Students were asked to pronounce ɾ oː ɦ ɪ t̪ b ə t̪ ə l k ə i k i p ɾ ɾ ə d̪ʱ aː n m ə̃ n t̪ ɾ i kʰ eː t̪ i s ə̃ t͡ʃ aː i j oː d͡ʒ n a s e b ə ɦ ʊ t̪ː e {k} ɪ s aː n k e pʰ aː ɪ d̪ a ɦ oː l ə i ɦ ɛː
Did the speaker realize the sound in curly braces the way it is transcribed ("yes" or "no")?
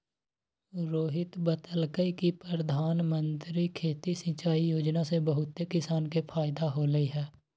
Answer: yes